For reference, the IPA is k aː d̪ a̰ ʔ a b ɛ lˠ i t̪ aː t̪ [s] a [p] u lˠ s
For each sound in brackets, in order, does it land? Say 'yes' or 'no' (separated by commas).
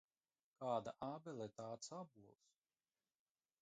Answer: yes, no